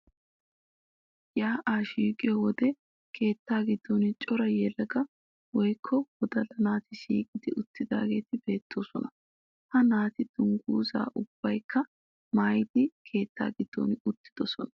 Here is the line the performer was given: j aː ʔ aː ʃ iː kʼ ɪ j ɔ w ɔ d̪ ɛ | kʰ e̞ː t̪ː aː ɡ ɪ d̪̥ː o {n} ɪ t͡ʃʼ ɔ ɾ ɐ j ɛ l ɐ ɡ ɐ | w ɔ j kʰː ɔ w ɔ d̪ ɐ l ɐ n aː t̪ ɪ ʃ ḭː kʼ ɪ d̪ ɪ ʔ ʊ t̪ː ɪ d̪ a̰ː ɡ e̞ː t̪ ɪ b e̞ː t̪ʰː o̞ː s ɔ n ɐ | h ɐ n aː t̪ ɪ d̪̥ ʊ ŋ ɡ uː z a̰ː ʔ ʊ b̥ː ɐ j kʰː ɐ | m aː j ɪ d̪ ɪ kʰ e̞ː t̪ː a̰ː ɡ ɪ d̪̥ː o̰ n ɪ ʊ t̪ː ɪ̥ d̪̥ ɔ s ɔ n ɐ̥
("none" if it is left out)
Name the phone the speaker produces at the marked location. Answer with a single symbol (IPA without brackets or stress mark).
n